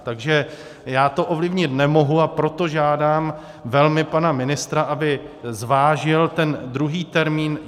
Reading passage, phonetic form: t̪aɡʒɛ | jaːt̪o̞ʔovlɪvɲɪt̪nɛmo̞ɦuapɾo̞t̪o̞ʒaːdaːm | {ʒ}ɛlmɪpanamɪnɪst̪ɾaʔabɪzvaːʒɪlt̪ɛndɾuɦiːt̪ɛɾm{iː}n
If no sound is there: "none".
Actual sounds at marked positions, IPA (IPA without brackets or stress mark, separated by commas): v, iː